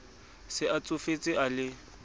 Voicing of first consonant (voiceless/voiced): voiceless